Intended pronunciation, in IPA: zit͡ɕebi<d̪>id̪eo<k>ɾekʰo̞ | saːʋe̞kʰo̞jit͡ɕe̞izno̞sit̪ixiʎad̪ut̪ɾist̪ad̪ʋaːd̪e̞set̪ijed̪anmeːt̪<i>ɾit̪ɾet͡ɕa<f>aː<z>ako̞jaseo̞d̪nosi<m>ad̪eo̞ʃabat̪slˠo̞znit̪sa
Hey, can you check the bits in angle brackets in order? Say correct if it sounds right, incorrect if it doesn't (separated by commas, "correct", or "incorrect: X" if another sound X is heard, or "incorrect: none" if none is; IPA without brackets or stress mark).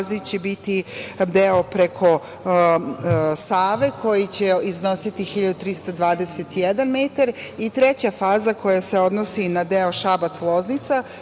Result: incorrect: t̪, incorrect: p, incorrect: a, correct, correct, incorrect: n